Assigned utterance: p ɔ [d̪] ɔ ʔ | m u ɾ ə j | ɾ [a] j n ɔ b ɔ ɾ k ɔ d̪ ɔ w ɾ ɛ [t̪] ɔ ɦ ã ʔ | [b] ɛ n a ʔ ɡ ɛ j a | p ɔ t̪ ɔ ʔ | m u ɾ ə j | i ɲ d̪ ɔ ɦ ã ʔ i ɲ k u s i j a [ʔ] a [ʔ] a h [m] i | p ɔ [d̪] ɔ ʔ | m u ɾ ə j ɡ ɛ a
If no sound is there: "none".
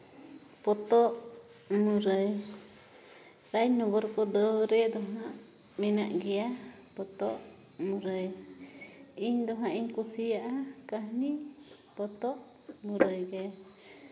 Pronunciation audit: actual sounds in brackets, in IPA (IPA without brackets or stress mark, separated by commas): t̪, a, d̪, m, ʔ, k, n, t̪